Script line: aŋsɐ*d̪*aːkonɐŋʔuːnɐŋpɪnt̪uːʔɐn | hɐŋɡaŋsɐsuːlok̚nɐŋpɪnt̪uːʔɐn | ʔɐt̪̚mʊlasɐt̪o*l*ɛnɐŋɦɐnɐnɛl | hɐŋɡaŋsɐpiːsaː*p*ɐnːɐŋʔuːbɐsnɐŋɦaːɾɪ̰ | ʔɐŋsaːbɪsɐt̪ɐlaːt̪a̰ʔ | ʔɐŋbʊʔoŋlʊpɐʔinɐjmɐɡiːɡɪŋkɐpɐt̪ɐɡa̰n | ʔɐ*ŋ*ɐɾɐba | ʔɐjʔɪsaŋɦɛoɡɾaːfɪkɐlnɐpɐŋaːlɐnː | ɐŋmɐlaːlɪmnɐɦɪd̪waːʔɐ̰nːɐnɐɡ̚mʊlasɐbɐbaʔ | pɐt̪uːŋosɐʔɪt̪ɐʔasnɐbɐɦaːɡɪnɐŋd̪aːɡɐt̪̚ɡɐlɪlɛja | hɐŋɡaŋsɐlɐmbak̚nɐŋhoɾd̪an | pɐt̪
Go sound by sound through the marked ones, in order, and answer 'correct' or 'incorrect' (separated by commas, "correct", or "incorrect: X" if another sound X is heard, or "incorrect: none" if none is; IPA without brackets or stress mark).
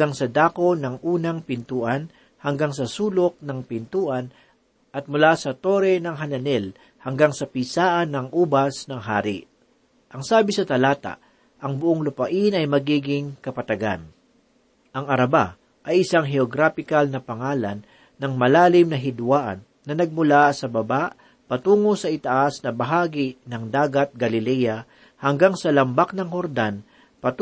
correct, incorrect: ɾ, incorrect: ʔ, correct